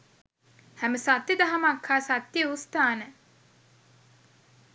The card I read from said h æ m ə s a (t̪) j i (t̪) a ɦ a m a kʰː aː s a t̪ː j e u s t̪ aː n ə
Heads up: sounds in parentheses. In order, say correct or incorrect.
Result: correct, incorrect: d̪

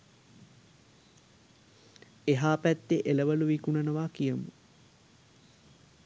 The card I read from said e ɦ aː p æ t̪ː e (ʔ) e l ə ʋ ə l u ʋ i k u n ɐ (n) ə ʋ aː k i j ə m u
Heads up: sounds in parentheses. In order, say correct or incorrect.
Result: correct, correct

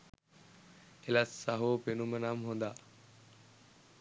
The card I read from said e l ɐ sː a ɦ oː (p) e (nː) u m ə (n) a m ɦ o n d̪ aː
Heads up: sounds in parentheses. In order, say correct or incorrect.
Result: correct, incorrect: n, correct

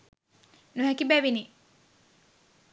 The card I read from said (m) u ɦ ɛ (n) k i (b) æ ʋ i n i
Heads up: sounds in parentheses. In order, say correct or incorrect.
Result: incorrect: n, incorrect: none, correct

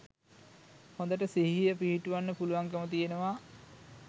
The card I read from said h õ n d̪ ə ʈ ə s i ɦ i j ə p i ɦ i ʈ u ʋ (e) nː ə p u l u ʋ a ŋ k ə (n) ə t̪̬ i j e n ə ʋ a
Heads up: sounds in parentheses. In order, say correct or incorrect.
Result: incorrect: a, incorrect: m

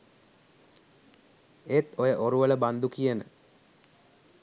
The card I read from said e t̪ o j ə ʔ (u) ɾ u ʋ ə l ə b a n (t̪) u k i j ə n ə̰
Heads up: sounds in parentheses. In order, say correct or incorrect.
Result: incorrect: o, incorrect: d̪

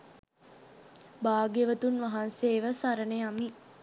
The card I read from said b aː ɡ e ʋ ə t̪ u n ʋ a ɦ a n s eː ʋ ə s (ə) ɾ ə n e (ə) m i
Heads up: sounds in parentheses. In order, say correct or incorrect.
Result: incorrect: a, incorrect: a

